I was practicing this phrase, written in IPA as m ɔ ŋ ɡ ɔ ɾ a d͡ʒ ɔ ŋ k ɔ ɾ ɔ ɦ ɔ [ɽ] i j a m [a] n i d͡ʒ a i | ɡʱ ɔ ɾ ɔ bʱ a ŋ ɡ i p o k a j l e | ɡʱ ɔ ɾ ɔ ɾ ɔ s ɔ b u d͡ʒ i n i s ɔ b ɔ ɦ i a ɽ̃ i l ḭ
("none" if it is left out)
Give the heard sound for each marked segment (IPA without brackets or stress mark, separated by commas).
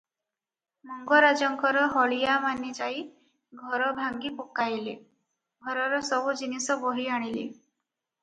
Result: ɭ, a